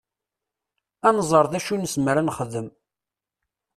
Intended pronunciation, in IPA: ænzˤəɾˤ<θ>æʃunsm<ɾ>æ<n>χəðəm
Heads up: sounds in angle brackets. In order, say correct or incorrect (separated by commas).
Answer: incorrect, correct, correct